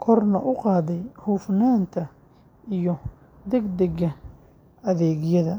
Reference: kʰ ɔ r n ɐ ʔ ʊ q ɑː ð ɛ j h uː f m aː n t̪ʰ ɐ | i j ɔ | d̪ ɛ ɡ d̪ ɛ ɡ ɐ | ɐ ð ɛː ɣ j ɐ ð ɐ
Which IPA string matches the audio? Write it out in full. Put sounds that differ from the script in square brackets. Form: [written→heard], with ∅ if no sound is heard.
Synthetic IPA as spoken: kʰ ɔ r n ɐ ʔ ʊ q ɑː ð ɛ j h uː f [m→n] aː n t̪ʰ ɐ | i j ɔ | d̪ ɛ ɡ d̪ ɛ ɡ ɐ | ɐ ð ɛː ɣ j ɐ ð ɐ